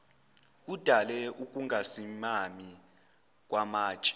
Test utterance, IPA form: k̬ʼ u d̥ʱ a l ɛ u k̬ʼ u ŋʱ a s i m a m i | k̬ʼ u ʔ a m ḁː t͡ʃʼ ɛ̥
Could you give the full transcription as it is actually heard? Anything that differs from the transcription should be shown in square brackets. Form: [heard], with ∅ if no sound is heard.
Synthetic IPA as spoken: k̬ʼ u d̥ʱ a l ɛ u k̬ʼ u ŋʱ a s i m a m i | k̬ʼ [w] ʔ a m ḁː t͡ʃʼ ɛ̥